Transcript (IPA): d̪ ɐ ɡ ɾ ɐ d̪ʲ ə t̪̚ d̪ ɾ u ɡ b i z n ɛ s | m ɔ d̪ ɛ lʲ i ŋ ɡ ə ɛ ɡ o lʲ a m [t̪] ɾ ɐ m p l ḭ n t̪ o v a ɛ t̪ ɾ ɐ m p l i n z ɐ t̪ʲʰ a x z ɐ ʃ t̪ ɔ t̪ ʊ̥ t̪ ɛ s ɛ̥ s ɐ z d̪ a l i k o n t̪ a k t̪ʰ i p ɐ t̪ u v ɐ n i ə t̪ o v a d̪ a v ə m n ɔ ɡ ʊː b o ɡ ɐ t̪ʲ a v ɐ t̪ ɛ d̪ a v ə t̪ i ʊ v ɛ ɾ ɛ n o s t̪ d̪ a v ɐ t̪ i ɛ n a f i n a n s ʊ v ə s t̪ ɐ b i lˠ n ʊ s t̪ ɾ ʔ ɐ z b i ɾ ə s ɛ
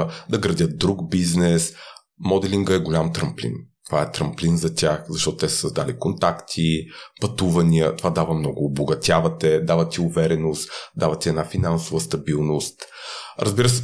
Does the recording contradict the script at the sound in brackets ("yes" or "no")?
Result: no